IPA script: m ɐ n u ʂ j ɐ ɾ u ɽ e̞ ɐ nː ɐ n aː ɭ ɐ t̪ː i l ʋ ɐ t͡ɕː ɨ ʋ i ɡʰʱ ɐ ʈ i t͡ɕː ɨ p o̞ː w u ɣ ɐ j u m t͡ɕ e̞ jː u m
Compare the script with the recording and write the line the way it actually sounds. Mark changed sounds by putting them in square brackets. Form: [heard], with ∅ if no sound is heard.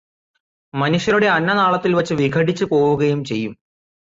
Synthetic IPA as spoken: m ɐ n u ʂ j ɐ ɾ u ɽ e̞ ɐ nː ɐ n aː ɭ ɐ t̪ː i l ʋ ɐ t͡ɕː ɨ ʋ i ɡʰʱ ɐ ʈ i t͡ɕː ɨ p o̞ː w u ɣ ɐ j u m t͡ɕ e̞ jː u m